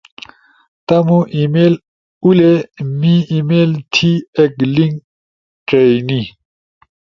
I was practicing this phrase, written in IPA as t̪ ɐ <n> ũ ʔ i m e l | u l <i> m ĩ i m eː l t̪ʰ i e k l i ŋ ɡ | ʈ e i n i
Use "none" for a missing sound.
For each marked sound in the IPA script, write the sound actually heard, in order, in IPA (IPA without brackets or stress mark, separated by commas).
m, e